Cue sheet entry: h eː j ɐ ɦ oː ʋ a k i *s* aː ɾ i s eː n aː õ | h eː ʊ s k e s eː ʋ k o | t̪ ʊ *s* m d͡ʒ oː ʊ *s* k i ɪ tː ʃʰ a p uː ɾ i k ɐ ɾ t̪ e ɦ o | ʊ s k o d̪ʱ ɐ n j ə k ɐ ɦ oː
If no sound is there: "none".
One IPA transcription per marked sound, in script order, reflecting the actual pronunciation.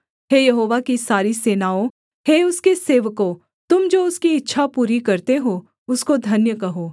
s, none, s

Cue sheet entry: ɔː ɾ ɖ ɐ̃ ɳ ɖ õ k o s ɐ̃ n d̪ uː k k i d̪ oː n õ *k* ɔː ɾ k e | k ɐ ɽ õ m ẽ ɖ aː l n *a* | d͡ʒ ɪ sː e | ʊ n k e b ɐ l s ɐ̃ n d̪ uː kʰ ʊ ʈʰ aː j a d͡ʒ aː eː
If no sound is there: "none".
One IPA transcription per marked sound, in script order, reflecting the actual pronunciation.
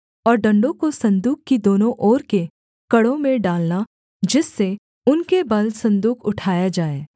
ʔ, a

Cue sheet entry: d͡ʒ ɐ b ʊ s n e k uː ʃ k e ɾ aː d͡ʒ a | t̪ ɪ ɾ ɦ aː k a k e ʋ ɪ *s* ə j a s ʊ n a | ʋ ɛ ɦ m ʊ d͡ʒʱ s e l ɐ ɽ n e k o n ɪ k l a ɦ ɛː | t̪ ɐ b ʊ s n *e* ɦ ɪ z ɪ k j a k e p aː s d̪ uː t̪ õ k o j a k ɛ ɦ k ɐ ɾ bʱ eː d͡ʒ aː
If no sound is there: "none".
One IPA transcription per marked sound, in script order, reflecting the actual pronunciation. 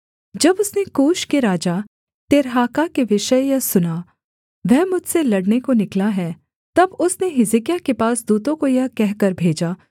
ʃ, e

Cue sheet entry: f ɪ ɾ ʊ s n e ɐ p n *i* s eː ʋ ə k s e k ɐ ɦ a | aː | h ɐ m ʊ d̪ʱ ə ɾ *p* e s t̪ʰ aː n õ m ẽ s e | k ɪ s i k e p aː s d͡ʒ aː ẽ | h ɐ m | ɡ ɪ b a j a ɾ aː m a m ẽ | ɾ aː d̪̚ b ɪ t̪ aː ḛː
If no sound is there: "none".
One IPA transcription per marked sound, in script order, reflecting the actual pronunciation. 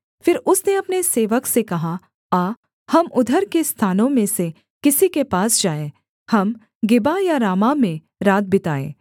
e, k

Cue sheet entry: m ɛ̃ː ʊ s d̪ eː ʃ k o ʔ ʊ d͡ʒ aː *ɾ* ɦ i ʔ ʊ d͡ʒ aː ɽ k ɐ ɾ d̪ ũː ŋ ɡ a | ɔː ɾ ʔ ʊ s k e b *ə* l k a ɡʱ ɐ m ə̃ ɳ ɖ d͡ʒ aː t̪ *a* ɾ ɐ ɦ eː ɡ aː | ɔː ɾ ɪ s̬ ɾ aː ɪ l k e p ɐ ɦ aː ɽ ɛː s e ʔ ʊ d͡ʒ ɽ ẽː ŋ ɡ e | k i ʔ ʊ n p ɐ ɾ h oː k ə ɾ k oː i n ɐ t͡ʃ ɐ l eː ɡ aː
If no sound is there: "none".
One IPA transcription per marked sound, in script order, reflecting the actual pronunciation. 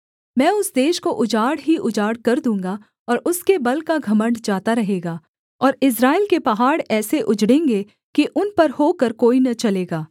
ɽ, ɐ, a

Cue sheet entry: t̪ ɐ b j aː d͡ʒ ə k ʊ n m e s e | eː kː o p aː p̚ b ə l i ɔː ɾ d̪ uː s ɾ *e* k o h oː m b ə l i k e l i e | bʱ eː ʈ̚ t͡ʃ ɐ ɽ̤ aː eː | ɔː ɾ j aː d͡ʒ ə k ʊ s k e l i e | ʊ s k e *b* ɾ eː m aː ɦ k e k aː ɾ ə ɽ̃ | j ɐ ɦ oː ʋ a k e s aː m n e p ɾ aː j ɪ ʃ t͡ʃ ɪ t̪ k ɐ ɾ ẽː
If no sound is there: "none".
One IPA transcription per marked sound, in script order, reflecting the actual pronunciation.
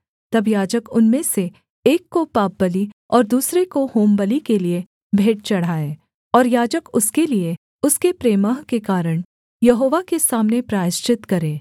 e, p

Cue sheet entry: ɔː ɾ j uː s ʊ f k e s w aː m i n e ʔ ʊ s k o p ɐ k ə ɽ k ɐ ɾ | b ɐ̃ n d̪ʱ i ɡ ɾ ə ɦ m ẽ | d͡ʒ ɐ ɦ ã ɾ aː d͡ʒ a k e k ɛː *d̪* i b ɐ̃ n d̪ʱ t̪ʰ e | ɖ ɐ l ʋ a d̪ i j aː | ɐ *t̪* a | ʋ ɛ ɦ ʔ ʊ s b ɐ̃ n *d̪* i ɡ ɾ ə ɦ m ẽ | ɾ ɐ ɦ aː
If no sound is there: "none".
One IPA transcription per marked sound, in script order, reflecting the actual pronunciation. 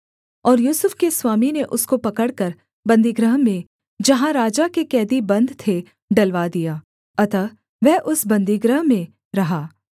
d̪, t̪, d̪

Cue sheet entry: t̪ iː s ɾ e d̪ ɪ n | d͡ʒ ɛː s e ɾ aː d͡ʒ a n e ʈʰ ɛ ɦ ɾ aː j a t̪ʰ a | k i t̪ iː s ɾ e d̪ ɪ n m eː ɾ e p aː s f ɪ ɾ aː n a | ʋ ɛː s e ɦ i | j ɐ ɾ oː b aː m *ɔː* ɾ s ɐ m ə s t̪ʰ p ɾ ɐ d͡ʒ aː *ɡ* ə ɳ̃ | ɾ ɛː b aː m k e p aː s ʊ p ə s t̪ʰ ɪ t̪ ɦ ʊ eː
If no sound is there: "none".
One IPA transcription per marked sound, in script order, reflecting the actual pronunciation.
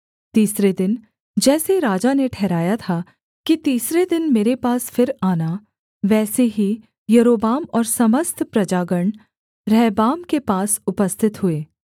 ɔː, ɡ

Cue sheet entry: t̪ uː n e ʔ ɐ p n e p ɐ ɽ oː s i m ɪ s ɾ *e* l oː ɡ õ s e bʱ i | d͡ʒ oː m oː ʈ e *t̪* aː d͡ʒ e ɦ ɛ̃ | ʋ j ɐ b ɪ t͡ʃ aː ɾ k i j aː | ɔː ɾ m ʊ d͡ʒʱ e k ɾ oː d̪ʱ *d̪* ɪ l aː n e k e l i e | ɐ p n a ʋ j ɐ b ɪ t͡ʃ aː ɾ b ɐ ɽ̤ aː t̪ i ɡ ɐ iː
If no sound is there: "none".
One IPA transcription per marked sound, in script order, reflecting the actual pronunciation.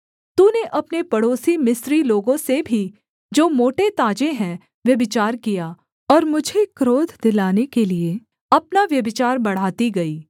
i, t̪, d̪

